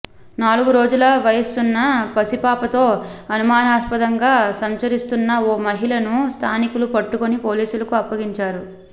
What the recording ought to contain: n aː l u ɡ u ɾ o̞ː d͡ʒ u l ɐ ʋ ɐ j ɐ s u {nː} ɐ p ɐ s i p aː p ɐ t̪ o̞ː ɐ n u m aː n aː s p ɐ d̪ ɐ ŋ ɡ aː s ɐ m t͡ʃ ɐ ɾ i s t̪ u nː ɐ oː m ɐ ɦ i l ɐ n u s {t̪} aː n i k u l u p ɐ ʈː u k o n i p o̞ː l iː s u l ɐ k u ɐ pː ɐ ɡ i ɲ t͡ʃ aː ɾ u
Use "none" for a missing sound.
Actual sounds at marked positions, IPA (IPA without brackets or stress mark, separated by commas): nː, t̪ʰ